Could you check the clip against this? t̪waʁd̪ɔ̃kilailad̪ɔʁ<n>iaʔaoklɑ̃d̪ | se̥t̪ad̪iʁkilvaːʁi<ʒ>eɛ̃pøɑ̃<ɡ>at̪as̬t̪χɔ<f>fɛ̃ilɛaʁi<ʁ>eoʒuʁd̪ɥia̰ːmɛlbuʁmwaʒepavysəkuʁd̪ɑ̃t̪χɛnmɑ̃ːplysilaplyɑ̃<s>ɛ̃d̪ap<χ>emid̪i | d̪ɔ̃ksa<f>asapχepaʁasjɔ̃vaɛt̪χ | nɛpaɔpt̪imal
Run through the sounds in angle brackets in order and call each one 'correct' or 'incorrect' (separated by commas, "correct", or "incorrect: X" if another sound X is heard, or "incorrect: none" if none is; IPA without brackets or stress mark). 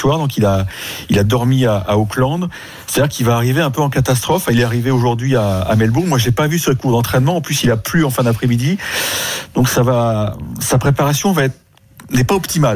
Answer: incorrect: m, incorrect: v, incorrect: k, correct, incorrect: v, incorrect: f, correct, incorrect: v